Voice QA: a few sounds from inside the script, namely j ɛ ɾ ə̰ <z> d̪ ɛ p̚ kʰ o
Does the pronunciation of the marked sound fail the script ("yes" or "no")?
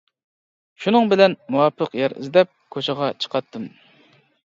no